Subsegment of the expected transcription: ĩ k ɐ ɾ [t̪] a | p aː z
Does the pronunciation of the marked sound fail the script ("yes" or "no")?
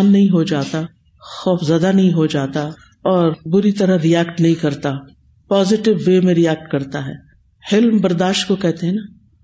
no